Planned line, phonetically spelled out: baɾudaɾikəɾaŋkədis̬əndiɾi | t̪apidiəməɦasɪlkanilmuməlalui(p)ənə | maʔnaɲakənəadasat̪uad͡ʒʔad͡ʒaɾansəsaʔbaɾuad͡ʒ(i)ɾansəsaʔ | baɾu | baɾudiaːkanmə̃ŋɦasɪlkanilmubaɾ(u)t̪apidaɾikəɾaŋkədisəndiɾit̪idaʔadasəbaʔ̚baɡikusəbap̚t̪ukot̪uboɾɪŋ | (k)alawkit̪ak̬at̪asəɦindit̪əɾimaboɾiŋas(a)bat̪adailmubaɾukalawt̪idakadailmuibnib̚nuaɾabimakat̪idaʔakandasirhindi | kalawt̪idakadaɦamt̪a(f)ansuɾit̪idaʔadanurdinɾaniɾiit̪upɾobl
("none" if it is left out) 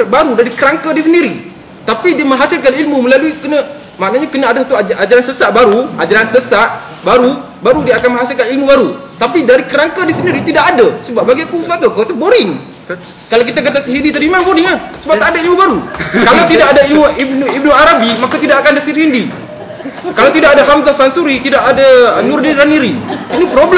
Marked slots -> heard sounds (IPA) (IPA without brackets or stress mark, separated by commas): k, a, u, k, ə, f